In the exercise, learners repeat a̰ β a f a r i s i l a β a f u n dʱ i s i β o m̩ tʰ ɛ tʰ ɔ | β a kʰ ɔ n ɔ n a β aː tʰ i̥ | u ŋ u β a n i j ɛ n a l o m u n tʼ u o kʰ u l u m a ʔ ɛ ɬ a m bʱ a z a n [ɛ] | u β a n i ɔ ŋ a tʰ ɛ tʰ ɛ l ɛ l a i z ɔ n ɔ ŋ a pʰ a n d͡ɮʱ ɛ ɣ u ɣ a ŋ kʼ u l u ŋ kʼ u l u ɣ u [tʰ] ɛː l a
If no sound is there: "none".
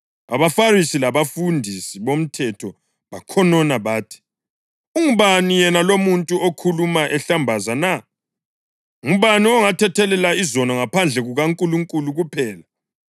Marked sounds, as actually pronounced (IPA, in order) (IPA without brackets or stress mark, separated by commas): a, pʰ